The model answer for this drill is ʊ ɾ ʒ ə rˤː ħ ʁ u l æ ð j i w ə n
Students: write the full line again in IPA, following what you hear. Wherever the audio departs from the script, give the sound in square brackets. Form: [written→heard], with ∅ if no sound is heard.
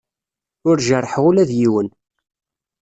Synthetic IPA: ʊ ɾ ʒ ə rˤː ħ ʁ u l æ ð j i w ə n